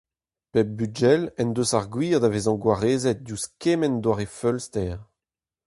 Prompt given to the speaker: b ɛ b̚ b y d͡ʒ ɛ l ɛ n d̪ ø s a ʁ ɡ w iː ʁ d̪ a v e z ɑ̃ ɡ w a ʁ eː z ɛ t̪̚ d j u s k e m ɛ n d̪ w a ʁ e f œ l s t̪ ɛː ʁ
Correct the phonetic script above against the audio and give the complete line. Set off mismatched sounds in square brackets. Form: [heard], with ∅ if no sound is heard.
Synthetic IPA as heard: [p] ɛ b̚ b y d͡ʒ ɛ l ɛ n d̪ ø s a ʁ ɡ w iː ʁ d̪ a v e z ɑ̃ ɡ w a ʁ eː z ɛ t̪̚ d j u s k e m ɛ n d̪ w a ʁ e f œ l s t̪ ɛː ʁ